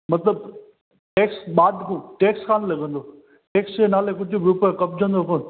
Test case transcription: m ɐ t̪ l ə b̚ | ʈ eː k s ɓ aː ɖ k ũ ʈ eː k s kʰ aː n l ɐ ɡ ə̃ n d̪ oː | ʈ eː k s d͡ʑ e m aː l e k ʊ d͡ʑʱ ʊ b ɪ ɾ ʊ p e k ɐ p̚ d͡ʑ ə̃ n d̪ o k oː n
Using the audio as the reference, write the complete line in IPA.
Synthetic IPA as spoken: m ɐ t̪ l ə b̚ | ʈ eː k s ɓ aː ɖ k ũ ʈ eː k s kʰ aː n l ɐ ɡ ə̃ n d̪ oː | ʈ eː k s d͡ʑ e n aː l e k ʊ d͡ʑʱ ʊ b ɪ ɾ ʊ p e k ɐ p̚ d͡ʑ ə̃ n d̪ o k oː n

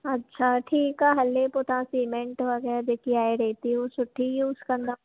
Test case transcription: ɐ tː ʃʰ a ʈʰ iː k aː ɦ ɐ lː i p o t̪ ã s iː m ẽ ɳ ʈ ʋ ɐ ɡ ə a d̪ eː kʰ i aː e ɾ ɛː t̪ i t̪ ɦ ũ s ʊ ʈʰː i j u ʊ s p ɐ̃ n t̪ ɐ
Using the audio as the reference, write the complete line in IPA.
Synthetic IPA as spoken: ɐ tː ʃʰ a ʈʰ iː k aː ɦ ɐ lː e p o t̪ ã s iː m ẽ ɳ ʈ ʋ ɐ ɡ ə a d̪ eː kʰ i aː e ɾ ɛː t̪ i ɦ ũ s ʊ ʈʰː i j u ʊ s k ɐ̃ n d̪ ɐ

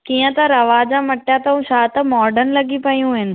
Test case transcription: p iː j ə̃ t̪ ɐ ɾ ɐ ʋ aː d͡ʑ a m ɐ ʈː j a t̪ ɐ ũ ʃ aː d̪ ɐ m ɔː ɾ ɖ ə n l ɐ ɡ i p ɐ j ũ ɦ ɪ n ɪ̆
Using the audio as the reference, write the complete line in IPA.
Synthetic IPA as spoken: k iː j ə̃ t̪ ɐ ɾ ɐ ʋ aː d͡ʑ a m ɐ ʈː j a t̪ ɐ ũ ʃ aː t̪ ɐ m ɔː ɾ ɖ ə n l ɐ ɡ i p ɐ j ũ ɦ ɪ n ɪ̆

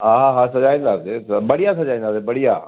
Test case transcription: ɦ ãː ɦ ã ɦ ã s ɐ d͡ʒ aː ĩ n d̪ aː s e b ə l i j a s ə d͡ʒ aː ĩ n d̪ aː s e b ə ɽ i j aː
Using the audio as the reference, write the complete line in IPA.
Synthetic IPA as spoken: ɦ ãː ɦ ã ɦ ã s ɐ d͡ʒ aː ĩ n d̪ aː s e b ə ɽ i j a s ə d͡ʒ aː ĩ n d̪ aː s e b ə ɽ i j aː

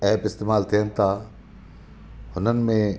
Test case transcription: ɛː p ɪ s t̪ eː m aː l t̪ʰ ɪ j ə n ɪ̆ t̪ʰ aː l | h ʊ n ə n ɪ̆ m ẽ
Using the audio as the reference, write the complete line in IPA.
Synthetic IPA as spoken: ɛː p ɪ s t̪ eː m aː l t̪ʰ i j ə n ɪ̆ t̪ʰ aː | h ʊ n ə n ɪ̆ m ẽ

